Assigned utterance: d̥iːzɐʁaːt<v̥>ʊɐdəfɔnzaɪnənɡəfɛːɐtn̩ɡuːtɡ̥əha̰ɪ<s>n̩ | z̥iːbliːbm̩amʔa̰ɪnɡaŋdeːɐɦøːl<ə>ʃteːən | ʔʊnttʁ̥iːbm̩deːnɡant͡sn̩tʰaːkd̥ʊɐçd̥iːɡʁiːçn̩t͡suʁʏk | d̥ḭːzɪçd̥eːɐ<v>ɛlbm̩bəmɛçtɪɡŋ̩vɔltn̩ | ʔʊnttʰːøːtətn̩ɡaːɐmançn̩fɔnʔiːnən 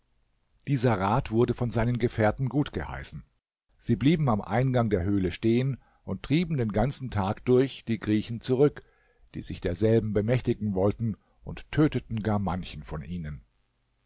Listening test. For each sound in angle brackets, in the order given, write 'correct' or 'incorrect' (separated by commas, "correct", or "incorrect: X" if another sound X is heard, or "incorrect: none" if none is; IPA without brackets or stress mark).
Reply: correct, correct, correct, incorrect: z